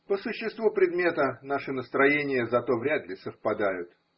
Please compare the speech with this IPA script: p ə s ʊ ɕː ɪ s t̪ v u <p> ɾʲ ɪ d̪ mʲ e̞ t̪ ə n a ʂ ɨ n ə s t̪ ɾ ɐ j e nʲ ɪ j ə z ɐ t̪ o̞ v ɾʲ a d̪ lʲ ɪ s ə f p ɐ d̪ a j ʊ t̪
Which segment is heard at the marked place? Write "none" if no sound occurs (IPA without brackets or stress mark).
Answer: p